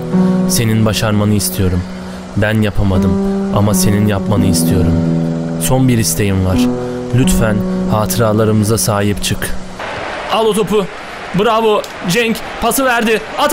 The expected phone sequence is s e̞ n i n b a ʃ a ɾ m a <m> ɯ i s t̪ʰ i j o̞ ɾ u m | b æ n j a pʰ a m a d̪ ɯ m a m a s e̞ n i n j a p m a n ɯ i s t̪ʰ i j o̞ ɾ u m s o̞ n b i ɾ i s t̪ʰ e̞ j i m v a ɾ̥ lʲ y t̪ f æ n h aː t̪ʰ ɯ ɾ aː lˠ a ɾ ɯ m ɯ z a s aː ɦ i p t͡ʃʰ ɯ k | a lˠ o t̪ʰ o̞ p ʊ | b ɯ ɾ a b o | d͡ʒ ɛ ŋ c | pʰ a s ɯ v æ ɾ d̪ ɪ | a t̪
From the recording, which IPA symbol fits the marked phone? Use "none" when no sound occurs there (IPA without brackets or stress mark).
n